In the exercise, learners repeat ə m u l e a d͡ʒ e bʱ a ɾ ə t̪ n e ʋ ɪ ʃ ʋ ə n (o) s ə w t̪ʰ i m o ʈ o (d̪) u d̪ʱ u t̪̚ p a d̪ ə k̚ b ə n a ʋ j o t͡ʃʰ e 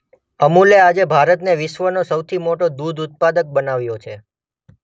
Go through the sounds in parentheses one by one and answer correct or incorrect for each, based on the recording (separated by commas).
correct, correct